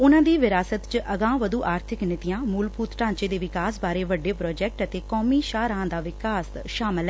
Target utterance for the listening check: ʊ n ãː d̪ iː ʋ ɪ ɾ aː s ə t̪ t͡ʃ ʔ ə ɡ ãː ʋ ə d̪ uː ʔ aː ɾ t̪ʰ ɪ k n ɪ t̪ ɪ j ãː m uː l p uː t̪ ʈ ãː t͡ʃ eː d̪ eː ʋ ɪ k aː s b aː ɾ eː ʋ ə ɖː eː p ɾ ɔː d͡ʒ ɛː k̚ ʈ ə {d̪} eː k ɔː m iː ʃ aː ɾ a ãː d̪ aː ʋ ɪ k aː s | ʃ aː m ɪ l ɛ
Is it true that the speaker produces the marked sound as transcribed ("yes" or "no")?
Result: no